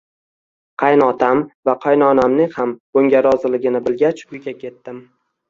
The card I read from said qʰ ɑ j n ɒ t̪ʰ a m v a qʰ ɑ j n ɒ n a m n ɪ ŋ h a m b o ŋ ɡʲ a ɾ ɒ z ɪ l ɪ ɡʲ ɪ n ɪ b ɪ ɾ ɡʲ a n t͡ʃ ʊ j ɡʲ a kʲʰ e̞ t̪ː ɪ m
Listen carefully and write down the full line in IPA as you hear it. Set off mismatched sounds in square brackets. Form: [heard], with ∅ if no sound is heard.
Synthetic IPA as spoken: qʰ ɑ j n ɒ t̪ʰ a m v a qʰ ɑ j n ɒ n a m n ɪ ŋ h a m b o ŋ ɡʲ a ɾ ɒ z ɪ l ɪ ɡʲ ɪ n ɪ b ɪ [l] ɡʲ a [∅] t͡ʃ ʊ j ɡʲ a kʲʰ e̞ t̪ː ɪ m

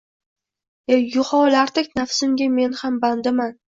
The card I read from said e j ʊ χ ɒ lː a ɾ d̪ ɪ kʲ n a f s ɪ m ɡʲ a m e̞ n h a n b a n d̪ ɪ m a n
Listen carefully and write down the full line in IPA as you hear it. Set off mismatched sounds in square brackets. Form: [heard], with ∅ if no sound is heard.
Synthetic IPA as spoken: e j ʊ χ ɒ [l] a ɾ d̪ ɪ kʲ n a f s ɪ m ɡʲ a m e̞ n h a [m] b a n d̪ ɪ m a n

